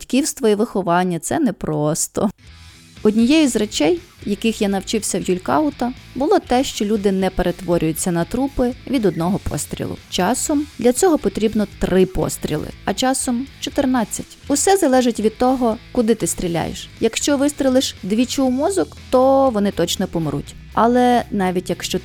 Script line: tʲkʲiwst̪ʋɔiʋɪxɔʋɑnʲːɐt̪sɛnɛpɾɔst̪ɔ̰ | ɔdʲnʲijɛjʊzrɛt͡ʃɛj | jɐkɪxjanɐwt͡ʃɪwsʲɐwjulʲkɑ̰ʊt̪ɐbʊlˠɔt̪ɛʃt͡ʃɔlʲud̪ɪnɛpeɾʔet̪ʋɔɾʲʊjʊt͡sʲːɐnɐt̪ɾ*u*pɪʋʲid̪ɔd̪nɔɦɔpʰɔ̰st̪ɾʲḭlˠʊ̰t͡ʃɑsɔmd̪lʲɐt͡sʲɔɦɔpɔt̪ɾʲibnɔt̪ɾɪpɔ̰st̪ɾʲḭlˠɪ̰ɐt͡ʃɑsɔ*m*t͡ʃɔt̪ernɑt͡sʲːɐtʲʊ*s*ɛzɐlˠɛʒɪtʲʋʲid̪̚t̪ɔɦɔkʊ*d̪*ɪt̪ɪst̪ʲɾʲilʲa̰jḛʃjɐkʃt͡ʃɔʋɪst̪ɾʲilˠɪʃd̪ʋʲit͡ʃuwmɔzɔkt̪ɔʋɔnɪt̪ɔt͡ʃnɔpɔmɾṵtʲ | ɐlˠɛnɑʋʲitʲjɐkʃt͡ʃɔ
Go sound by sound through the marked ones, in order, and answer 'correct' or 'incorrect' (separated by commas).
correct, correct, correct, correct